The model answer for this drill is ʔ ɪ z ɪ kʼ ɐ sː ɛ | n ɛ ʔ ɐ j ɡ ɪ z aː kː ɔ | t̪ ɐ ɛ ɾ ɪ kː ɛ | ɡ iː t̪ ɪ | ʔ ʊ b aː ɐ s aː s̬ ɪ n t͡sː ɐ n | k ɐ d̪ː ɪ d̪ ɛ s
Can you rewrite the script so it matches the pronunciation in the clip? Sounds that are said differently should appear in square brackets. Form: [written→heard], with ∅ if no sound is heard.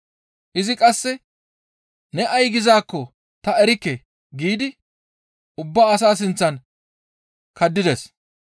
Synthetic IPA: ʔ ɪ z ɪ kʼ ɐ sː ɛ | n ɛ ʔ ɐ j ɡ ɪ z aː kː ɔ | t̪ ɐ ɛ ɾ ɪ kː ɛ | ɡ iː [t̪→d̪] ɪ | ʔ ʊ [b→bː] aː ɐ s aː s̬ ɪ n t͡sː ɐ n | k ɐ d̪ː ɪ d̪ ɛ s